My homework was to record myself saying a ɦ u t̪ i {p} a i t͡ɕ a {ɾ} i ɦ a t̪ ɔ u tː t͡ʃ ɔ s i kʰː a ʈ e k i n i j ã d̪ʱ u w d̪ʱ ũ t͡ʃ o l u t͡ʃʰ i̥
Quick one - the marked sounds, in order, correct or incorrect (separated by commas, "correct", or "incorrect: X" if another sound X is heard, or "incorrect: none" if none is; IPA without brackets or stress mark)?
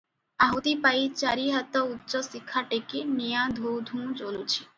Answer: correct, correct